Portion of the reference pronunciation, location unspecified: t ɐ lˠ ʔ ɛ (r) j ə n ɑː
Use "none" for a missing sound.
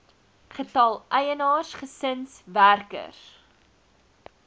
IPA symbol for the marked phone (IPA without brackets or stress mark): none